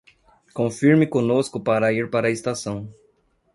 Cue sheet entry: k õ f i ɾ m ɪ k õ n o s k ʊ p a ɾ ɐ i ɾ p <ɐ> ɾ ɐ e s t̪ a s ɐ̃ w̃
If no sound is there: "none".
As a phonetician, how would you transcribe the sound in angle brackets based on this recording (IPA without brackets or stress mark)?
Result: a